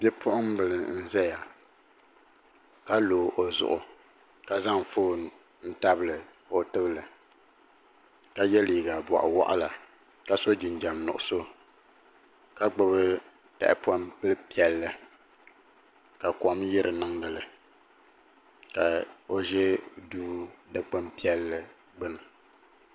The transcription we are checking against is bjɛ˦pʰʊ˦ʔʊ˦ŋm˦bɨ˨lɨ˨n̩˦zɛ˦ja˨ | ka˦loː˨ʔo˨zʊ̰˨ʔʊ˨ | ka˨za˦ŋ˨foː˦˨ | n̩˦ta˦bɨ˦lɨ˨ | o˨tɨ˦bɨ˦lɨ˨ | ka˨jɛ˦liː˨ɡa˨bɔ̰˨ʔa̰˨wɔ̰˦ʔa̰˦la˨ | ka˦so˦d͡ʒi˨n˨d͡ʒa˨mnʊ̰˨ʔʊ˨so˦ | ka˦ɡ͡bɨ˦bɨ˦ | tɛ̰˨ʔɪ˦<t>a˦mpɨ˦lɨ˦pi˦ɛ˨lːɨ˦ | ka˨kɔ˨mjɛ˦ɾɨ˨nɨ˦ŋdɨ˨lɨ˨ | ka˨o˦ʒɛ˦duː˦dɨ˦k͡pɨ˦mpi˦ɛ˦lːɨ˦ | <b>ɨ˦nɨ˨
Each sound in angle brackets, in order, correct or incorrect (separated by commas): incorrect, incorrect